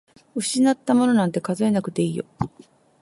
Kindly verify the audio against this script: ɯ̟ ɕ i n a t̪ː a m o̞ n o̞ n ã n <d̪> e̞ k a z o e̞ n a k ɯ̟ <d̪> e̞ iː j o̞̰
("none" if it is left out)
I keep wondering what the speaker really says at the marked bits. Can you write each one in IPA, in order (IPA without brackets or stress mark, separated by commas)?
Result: t̪, t̪